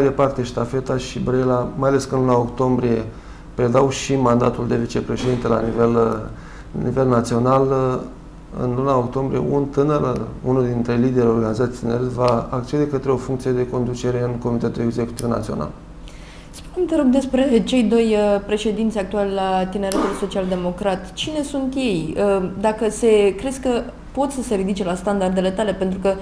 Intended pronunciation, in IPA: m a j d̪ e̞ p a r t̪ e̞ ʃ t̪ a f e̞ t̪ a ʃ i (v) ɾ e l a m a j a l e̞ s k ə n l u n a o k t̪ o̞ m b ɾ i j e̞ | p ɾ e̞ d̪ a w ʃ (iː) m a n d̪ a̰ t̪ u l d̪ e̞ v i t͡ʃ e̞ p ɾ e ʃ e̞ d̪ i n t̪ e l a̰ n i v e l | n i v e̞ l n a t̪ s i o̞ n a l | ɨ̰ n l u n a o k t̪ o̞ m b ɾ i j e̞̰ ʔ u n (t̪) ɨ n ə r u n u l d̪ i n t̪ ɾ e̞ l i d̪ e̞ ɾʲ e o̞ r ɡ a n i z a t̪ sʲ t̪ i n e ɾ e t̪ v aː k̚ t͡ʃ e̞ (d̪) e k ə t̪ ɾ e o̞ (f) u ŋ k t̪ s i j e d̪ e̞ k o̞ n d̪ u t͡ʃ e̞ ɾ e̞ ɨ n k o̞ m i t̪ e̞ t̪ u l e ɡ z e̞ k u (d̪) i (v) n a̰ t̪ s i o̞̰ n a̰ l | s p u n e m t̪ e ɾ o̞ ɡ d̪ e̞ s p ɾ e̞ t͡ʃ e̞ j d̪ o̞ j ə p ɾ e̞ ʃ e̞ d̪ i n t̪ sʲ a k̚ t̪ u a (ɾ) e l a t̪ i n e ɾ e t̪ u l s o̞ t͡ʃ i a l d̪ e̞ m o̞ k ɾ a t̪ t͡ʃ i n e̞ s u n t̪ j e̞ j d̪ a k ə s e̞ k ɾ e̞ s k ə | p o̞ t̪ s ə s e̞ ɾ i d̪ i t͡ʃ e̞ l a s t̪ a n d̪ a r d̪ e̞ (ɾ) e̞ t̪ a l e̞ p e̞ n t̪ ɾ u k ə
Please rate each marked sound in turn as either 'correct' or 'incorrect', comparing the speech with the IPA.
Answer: incorrect, incorrect, correct, correct, correct, incorrect, correct, incorrect, incorrect

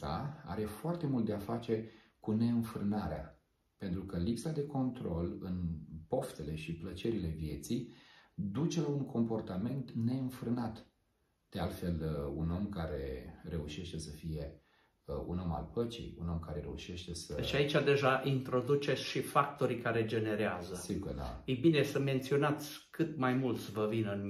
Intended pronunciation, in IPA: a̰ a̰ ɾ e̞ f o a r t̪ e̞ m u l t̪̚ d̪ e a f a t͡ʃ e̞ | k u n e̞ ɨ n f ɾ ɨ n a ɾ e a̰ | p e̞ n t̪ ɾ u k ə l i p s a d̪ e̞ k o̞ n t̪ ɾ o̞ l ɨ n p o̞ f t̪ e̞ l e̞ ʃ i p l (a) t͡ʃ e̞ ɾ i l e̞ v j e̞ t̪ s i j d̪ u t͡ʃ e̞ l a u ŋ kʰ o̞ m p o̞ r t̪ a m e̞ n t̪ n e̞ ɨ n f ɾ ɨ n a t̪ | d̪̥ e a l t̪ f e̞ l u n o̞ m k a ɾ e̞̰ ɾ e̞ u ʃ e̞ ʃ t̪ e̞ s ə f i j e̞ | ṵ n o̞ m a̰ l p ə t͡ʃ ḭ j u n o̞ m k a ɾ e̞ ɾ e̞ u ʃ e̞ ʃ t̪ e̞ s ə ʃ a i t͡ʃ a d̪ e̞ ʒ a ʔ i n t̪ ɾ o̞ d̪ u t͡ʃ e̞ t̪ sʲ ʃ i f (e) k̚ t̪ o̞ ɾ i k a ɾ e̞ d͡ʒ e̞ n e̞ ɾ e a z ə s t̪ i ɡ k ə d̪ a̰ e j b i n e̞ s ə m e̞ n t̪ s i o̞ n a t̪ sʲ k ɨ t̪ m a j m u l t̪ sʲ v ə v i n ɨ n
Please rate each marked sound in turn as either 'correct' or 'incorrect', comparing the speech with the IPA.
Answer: incorrect, incorrect

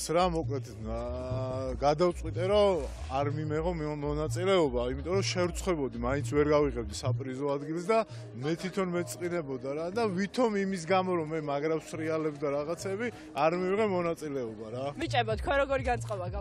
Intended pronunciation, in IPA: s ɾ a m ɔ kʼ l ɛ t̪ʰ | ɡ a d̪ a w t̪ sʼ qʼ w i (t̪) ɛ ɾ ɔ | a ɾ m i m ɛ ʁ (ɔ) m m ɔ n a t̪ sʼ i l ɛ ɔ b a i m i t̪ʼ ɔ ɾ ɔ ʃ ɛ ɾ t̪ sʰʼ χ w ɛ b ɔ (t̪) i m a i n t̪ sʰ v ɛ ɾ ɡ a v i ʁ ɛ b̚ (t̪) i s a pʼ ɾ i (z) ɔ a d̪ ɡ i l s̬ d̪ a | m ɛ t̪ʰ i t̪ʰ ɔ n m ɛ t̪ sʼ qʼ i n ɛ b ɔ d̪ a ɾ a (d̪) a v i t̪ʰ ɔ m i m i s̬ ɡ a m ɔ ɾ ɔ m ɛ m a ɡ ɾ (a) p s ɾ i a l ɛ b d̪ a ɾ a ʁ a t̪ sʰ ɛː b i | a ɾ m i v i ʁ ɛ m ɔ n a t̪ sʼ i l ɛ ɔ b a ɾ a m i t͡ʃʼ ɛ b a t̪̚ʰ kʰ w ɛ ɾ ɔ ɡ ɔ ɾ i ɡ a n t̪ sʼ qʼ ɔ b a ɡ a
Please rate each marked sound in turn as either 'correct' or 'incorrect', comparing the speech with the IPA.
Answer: incorrect, correct, incorrect, incorrect, correct, correct, correct

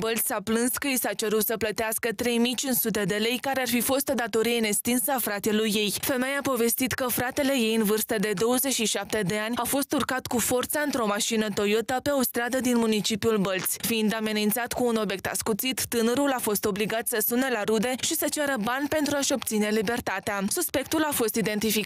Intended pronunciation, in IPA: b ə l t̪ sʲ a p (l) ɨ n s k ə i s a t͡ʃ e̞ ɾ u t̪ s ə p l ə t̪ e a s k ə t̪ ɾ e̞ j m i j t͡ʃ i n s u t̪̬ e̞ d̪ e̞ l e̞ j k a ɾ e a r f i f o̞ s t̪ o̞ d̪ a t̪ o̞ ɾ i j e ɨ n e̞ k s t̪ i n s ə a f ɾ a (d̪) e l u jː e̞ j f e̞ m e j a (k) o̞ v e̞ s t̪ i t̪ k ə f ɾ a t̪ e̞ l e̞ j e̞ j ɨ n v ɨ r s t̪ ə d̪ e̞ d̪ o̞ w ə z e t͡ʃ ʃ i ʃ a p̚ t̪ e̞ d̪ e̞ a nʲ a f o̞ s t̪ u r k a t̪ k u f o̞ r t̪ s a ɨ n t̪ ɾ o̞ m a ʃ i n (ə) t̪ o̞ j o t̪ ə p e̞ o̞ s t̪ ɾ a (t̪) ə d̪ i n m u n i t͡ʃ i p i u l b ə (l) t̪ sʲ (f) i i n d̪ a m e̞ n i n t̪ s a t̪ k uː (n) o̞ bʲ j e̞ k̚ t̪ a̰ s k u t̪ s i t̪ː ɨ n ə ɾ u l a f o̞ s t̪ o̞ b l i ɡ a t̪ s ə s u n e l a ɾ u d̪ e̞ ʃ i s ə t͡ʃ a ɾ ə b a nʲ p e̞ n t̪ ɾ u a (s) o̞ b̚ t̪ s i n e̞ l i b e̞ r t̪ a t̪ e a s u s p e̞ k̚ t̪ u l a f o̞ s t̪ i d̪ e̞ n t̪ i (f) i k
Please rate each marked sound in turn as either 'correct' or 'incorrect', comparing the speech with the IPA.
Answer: correct, incorrect, incorrect, correct, incorrect, correct, correct, correct, incorrect, correct

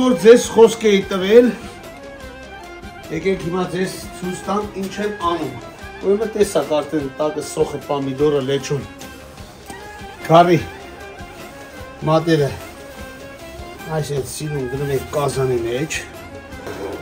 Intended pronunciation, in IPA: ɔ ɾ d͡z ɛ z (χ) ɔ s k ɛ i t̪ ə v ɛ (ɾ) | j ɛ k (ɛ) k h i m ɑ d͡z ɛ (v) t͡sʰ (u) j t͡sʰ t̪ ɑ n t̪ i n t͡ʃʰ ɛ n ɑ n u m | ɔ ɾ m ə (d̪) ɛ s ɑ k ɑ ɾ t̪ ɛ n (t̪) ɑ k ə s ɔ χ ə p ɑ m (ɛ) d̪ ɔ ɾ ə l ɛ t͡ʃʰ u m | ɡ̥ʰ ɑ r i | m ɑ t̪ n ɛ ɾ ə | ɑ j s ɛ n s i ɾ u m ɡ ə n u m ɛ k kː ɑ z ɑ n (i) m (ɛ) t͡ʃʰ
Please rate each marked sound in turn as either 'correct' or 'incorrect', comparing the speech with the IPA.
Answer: correct, incorrect, correct, incorrect, correct, incorrect, correct, incorrect, correct, correct

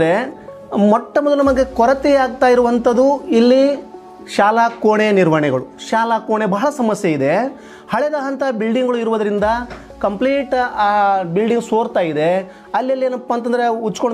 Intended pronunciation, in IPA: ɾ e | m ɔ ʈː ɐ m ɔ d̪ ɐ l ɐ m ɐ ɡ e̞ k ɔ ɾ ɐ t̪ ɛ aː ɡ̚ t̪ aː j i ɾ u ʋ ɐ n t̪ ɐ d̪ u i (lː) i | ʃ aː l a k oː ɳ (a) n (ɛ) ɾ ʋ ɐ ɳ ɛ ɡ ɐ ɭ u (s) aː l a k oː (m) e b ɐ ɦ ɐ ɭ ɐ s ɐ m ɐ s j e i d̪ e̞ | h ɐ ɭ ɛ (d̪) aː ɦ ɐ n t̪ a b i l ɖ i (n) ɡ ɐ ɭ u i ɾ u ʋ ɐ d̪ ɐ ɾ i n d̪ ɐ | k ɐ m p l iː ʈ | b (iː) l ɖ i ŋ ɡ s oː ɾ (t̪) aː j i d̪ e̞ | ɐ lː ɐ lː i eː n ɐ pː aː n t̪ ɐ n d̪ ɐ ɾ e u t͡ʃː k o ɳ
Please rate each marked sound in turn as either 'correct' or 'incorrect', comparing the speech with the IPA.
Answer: correct, incorrect, incorrect, incorrect, incorrect, correct, incorrect, incorrect, correct

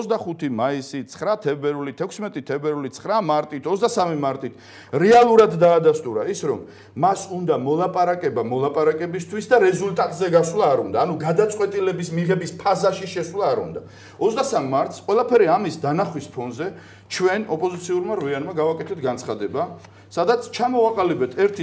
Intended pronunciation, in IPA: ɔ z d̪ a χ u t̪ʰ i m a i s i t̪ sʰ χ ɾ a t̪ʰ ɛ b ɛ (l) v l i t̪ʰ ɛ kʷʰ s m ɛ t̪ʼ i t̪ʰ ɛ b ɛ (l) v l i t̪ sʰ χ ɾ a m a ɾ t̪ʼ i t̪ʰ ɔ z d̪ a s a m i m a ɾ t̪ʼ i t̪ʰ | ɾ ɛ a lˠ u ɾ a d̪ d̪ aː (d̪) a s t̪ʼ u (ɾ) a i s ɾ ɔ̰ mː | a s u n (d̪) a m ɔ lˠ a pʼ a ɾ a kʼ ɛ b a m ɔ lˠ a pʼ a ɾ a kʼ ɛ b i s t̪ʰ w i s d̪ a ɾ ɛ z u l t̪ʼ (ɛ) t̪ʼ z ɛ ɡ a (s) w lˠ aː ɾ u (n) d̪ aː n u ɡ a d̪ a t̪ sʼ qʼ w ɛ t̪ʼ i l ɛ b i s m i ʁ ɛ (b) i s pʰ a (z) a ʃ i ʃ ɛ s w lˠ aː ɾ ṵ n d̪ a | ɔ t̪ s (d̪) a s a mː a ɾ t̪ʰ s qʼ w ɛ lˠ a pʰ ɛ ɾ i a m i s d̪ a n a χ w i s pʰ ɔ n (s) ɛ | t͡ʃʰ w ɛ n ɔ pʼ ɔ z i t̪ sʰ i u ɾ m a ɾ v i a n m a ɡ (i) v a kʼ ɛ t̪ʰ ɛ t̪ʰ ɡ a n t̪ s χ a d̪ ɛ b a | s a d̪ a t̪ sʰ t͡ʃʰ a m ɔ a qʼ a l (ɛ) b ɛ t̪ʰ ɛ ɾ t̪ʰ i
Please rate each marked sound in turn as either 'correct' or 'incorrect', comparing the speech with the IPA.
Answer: incorrect, incorrect, correct, correct, correct, incorrect, correct, correct, correct, correct, correct, incorrect, incorrect, incorrect

